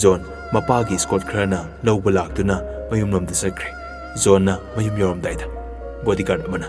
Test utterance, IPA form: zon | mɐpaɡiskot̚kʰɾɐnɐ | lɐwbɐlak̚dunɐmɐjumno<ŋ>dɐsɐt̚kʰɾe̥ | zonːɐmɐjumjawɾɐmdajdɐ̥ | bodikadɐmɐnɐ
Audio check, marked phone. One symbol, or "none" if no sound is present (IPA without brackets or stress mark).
m